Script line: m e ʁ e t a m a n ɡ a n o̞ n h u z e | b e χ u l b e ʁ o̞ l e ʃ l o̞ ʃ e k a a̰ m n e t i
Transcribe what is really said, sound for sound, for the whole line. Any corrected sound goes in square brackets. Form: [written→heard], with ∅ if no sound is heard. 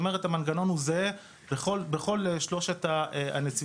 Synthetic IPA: m e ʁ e t a m a n ɡ a n o̞ n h u z e | b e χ [u→o] l b e [ʁ→χ] o̞ l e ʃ l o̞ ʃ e [k→t] a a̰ [m→∅] n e [t→t͡s] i

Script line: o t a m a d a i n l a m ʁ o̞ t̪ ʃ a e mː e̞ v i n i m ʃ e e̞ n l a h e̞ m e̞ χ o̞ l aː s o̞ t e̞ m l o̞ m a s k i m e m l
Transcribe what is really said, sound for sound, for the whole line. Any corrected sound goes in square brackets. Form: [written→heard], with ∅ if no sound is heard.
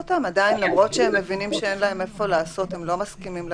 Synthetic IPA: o t a m a d a i n l a m ʁ o̞ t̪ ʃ [a→e] e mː e̞ v i n i m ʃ e e̞ n l a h e̞ m e̞ [χ→f] o̞ l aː s o̞ t e̞ m l o̞ m a s k i m [e→i] m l

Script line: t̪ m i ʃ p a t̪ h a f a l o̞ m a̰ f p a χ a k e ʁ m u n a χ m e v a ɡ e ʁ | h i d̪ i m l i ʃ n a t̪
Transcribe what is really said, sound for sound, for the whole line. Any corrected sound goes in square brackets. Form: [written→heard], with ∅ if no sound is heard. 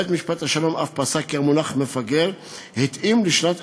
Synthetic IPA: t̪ m i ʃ p a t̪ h a [f→ʃ] a l o̞ m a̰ f p a [χ→s] a k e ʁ m u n a χ m e [v→f] a ɡ e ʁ | h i [d̪→t̪] i m l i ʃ n a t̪

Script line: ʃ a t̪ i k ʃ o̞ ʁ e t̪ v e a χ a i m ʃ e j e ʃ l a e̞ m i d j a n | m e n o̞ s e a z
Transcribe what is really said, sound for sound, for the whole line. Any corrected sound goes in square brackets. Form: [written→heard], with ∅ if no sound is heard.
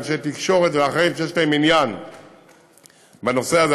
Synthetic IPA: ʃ [a→e] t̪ i k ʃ o̞ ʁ e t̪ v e a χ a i m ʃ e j e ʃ l a e̞ m i [d→n] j a n | [m→b] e n o̞ s e a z

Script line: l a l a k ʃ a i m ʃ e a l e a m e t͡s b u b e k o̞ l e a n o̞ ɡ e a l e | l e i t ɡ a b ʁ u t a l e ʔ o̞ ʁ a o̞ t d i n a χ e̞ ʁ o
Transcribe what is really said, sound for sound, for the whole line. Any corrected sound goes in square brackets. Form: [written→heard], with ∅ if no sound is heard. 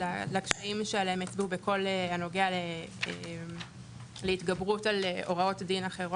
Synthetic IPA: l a l a k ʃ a i m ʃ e a l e [a→e] m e t͡s b u b e k o̞ l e a n o̞ ɡ e a l e | l e i t ɡ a b ʁ u t a l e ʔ o̞ ʁ a o̞ t d i n a χ e̞ ʁ o

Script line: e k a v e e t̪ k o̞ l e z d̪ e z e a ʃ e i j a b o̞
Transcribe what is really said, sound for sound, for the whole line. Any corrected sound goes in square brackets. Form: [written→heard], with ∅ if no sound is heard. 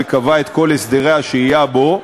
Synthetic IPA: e k a v [e→a] e t̪ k o̞ l e [z→s] d̪ e [z→ʁ] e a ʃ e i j a b o̞

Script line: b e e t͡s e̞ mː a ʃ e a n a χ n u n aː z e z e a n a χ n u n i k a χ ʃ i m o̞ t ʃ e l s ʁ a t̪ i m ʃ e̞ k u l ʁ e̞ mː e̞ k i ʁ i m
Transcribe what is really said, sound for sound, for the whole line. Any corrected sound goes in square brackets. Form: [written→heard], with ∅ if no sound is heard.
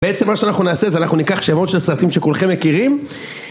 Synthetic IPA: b e e t͡s e̞ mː a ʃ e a n a χ n u n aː [z→s] e z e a n a χ n u n i k a χ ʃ [i→e] m o̞ t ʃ e l s ʁ a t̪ i m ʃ e̞ k u l [ʁ→χ] e̞ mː e̞ k i ʁ i m

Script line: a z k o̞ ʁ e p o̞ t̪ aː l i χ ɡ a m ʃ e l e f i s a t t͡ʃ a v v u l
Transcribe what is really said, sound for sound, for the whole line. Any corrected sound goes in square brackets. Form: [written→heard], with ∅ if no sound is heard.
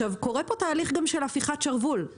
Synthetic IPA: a [z→v] k o̞ ʁ e p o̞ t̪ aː l i χ ɡ a m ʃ e l [e→a] f i [s→χ] a t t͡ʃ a [v→ʁ] v u l

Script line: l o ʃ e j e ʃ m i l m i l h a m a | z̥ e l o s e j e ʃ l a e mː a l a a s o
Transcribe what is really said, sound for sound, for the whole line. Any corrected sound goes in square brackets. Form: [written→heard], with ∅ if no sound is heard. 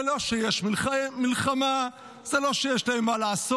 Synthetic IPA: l o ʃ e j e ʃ m i l m i l [h→χ] a m a | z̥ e l o [s→ʃ] e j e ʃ l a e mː a l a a s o

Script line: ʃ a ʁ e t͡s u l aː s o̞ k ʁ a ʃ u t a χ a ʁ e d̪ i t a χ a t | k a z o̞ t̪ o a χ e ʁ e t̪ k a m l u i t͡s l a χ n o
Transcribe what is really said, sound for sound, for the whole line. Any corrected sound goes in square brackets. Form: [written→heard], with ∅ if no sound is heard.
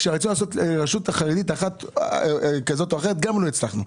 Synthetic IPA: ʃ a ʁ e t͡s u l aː s o̞ [k→t] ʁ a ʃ u t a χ a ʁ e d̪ i t a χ a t | k a z o̞ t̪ o a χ e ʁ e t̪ [k→ɡ] a m l [u→o] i t͡s l a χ n [o→u]

